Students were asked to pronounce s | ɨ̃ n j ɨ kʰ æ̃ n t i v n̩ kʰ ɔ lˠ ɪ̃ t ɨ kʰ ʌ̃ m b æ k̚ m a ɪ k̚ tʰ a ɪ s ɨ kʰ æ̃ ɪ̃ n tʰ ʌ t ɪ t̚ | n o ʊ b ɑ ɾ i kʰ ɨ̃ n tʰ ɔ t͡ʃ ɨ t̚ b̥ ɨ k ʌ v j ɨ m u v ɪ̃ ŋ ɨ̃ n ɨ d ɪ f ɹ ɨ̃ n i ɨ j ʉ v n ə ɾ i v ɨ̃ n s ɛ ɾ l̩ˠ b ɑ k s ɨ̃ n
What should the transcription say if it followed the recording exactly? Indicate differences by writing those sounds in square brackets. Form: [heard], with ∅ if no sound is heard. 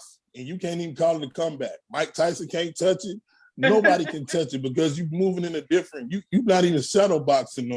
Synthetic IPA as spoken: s | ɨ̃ n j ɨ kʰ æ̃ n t i v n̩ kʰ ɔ lˠ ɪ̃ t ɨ kʰ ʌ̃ m b æ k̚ m a ɪ k̚ tʰ a ɪ s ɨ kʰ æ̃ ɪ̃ n tʰ ʌ [t͡ʃ] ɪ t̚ | n o ʊ b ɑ ɾ i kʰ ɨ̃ n tʰ [ʌ] t͡ʃ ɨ t̚ b̥ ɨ k ʌ [z] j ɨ m u v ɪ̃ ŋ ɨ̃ n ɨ d ɪ f ɹ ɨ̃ n [j] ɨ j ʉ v n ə ɾ i v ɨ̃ n s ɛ ɾ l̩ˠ b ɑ k s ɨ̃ n